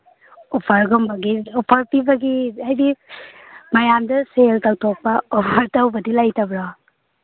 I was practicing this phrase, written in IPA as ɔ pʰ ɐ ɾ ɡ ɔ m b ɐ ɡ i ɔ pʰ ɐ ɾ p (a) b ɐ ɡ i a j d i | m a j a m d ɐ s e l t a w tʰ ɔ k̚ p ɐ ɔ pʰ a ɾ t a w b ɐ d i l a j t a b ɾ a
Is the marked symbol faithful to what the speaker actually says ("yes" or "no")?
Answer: no